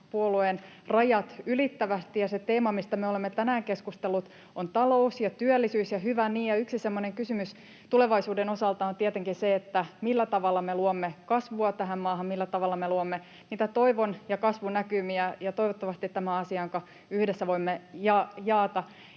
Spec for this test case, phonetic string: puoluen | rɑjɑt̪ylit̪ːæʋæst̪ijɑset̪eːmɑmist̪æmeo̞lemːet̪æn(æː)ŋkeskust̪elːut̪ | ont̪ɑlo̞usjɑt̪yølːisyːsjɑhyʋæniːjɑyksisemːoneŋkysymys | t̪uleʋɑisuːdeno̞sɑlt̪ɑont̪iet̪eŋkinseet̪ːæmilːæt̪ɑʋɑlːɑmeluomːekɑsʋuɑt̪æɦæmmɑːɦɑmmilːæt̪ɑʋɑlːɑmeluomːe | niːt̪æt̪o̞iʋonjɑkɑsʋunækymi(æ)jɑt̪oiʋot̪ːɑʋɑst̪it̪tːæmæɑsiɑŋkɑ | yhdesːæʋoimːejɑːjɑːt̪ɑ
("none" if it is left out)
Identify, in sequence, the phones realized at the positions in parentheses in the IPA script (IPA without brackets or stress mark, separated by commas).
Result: æː, æ